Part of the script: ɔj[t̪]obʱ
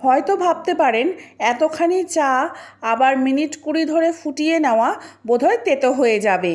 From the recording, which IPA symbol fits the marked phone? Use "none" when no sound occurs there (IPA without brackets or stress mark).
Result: t̪